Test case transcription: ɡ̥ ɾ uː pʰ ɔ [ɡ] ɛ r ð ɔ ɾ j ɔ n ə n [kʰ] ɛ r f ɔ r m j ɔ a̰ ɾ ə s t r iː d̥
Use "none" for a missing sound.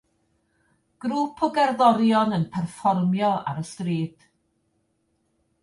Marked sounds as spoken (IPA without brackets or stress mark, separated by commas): ɡ, pʰ